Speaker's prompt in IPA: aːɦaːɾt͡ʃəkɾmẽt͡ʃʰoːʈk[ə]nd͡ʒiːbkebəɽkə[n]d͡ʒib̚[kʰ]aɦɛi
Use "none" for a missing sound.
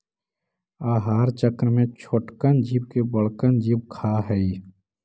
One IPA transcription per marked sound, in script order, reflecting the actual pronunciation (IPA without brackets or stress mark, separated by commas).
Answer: ə, n, kʰ